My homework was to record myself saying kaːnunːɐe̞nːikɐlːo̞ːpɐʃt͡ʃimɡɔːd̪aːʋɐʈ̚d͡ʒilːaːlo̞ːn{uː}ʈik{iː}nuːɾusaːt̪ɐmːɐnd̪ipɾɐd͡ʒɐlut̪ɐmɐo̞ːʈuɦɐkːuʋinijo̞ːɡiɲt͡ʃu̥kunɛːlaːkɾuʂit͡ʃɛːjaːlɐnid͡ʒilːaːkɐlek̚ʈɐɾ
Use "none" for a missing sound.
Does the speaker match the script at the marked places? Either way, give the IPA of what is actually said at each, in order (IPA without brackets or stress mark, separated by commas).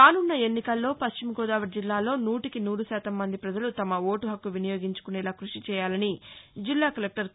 uː, i